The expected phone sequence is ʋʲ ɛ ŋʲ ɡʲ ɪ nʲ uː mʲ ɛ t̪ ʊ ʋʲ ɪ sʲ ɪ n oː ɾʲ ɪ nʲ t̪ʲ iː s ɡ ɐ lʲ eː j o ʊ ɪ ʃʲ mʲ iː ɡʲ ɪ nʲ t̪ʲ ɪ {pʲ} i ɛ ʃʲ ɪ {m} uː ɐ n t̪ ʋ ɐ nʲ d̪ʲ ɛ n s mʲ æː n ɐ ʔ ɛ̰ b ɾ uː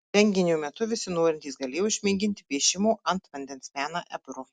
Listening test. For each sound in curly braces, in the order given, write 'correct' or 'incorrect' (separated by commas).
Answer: correct, correct